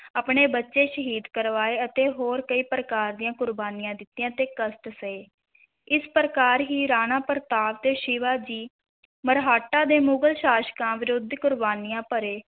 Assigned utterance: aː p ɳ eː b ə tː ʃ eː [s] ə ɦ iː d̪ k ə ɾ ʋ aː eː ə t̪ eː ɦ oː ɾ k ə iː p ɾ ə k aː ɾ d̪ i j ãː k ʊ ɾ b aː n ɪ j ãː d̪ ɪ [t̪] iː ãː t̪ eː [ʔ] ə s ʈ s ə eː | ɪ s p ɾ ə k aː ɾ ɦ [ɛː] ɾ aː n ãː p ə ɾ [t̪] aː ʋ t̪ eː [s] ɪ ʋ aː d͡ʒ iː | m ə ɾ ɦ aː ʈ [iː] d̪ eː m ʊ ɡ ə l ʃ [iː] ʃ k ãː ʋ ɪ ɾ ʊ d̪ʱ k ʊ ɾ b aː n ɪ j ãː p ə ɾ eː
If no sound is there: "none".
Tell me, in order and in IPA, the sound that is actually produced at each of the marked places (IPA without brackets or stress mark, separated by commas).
ʃ, t̪, k, iː, t̪, ʃ, aː, aː